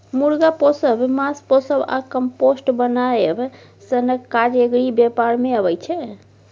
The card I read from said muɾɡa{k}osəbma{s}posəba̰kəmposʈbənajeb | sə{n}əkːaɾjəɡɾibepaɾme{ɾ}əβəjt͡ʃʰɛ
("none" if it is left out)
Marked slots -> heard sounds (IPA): p, s, n, none

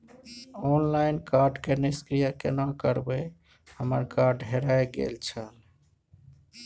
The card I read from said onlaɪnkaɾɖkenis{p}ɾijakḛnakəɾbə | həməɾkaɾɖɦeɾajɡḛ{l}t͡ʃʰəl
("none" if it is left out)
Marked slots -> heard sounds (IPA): k, l

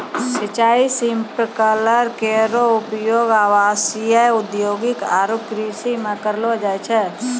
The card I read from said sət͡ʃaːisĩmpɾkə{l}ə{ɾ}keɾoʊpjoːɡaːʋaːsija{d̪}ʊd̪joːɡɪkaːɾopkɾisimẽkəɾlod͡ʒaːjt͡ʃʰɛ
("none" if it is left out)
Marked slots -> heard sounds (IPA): l, ɾ, none

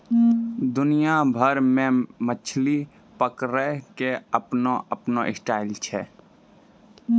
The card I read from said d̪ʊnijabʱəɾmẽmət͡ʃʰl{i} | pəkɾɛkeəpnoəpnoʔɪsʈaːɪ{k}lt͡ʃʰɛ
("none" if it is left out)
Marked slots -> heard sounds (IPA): i, none

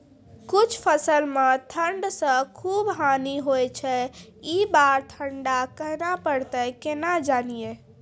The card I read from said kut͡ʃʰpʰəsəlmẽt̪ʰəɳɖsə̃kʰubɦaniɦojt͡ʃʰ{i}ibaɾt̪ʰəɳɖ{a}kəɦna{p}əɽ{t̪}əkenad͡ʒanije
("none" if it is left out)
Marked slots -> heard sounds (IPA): ɛ, a, p, t̪

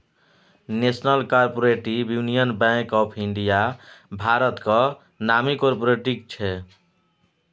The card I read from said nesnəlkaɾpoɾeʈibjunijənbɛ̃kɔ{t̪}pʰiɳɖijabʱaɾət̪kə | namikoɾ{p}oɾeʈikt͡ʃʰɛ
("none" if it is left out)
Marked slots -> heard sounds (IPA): none, p

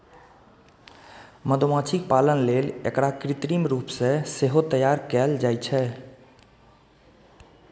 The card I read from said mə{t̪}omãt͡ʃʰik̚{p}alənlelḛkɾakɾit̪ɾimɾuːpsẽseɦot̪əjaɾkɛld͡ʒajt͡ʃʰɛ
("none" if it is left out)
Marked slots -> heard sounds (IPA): d̪, p

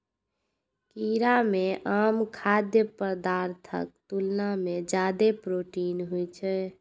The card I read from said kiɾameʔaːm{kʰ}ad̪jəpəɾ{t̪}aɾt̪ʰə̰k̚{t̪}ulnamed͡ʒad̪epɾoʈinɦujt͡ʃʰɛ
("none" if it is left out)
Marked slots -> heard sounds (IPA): kʰ, d̪, t̪

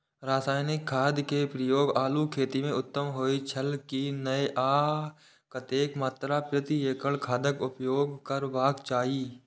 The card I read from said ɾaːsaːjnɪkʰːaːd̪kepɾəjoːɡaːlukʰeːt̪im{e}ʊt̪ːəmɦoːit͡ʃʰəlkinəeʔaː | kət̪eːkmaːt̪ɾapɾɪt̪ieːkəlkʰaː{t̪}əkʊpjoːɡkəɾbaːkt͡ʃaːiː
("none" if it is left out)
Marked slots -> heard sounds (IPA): ẽ, d̪

